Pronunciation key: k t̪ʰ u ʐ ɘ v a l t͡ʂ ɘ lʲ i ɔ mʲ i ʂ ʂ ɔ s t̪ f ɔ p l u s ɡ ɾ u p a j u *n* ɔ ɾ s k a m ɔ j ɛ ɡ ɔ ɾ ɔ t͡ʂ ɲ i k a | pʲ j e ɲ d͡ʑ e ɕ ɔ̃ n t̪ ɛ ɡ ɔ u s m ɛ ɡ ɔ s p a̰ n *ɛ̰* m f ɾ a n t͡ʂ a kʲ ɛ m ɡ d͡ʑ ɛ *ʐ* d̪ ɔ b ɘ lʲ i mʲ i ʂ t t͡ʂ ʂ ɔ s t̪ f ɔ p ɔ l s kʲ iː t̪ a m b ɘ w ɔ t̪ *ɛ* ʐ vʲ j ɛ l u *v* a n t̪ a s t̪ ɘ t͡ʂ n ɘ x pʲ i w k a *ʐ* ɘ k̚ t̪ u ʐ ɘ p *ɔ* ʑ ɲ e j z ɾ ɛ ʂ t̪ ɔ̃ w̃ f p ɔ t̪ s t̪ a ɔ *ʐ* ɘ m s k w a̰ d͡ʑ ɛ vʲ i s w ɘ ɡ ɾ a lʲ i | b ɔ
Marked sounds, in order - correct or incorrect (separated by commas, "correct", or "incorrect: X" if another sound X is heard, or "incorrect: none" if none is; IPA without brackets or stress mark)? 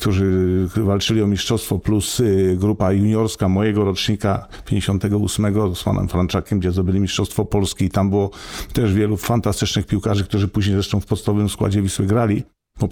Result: incorrect: ɲ, correct, incorrect: z, correct, incorrect: f, correct, incorrect: u, incorrect: v